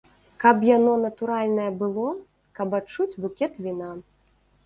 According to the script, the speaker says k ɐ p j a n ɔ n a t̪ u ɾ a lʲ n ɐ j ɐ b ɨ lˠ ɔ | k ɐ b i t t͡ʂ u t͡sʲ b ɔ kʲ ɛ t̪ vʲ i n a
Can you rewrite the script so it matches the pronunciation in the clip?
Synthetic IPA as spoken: k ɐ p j a n ɔ n ɐ t̪ u ɾ a lʲ n ɐ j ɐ b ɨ lˠ ɔ | k ɐ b a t t͡ʂ u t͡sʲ b u kʲ ɛ t̪ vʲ i n a

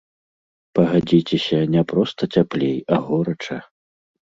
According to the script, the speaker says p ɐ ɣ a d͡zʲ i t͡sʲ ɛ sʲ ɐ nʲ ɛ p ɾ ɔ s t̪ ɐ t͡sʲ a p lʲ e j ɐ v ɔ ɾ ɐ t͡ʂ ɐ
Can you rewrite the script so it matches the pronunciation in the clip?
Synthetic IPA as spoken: p ɐ ɣ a d͡zʲ i t͡sʲ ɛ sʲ ɐ nʲ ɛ p ɾ ɔ s t̪ ɐ t͡sʲ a p lʲ e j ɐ ɣ ɔ ɾ ɐ t͡ʂ ɐ

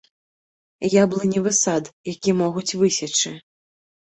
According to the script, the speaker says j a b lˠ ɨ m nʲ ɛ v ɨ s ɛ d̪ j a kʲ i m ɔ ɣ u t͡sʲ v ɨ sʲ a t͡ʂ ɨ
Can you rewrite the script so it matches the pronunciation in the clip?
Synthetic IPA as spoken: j a b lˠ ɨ nʲ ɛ v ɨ s a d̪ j a kʲ i m ɔ ɣ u t͡sʲ v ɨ sʲ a t͡ʂ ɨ

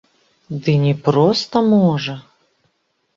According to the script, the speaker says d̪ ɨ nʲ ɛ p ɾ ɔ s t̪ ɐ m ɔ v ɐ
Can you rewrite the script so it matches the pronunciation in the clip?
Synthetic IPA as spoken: d̪ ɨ nʲ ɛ p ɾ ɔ s t̪ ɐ m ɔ ʐ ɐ

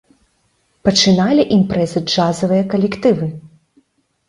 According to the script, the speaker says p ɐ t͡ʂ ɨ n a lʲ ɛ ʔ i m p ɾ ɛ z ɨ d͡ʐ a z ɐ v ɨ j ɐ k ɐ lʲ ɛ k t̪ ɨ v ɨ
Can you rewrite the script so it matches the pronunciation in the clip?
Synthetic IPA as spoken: p ɐ t͡ʂ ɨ n a lʲ i ʔ i m p ɾ ɛ z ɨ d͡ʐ a z ɐ v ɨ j ɐ k ɐ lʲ ɛ k t̪ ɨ v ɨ

